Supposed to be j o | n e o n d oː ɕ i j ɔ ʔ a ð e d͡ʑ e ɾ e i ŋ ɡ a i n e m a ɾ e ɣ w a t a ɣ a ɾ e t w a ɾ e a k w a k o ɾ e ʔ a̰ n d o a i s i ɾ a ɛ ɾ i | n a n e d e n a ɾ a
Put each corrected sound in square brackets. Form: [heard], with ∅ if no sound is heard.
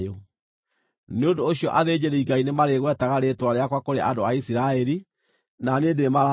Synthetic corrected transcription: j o | n e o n d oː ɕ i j ɔ ʔ a ð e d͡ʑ e ɾ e i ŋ ɡ a i n e m a ɾ e ɣ w [ɛ] t a ɣ a ɾ e t w a ɾ e a k w a k o ɾ e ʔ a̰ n d o a i s i ɾ a ɛ ɾ i | n a n e d e [m] a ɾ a